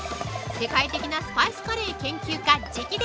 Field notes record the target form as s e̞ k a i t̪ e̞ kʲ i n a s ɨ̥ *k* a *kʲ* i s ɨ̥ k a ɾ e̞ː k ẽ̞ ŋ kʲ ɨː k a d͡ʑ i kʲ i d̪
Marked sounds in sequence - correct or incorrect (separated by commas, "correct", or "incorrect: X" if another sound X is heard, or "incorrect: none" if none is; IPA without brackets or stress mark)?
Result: incorrect: p, incorrect: none